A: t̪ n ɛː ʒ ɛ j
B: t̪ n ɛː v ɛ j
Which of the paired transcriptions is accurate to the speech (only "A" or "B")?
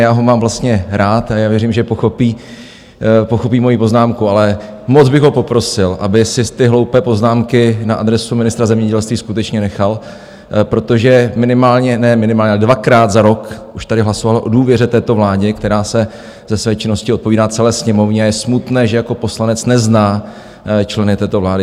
A